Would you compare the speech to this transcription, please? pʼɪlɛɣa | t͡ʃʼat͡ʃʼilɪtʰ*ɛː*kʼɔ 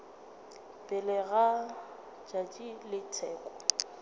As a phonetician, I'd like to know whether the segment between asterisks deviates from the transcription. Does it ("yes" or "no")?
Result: no